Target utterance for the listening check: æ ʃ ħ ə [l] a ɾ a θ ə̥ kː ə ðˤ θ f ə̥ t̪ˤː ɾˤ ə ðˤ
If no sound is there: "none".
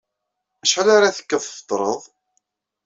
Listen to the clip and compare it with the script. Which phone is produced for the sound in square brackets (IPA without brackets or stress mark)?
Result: l